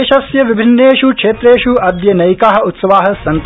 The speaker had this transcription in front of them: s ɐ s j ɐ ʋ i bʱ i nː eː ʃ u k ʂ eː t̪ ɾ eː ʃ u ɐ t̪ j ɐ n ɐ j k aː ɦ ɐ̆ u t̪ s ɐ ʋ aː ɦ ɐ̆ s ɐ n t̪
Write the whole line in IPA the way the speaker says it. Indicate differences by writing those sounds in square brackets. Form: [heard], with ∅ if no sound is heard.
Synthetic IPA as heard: [ʃ] ɐ s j ɐ ʋ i bʱ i nː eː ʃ u k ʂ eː t̪ ɾ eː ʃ u ɐ [d̪] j ɐ n ɐ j k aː ɦ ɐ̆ u t̪ s ɐ ʋ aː ɦ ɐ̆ s ɐ n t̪